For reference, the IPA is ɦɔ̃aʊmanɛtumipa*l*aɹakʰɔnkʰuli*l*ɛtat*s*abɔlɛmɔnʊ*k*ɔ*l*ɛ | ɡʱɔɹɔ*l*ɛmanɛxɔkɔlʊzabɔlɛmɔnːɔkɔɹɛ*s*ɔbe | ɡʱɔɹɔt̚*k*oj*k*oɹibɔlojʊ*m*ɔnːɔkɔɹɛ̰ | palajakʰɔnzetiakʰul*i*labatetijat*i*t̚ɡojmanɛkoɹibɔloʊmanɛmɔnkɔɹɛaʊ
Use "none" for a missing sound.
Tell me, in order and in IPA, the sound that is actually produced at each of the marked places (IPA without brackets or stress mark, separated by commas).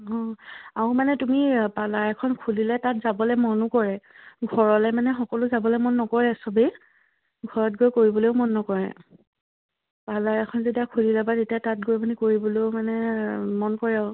l, l, z, k, ɹ, l, s, ɡ, k, m, i, a